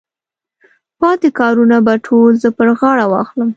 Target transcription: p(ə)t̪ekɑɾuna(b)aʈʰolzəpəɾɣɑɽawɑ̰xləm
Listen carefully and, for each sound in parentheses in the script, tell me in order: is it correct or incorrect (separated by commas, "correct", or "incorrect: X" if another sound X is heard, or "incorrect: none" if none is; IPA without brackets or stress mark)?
incorrect: ɑ, correct